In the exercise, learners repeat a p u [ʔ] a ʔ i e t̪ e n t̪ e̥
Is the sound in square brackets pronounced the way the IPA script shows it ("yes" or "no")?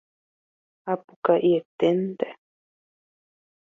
no